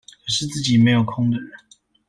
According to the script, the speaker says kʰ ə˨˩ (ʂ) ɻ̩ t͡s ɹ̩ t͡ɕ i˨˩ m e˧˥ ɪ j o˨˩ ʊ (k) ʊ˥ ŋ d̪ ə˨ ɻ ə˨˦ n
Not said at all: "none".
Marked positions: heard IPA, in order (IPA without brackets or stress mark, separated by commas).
ʂ, kʰ